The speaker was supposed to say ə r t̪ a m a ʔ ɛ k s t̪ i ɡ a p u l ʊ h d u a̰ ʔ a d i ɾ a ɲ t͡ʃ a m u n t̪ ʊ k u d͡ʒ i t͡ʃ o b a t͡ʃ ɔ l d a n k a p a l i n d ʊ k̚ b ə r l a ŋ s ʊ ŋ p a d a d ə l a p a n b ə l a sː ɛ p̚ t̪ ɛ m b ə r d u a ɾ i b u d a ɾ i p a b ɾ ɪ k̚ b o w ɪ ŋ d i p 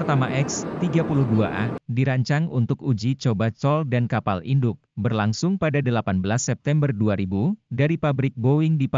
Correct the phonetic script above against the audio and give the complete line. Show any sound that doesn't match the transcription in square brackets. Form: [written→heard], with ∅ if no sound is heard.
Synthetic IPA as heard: ə r t̪ a m a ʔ ɛ k s t̪ i ɡ a p u l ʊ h d u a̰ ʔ a d i ɾ a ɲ t͡ʃ a [m→ŋ] u n t̪ ʊ k u d͡ʒ i t͡ʃ o b a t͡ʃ ɔ l d a n k a p a l i n d ʊ k̚ b ə r l a ŋ s ʊ ŋ p a d a d ə l a p a n b ə l a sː ɛ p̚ t̪ ɛ m b ə r d u a ɾ i b u d a ɾ i p a b ɾ ɪ k̚ b o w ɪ ŋ d i p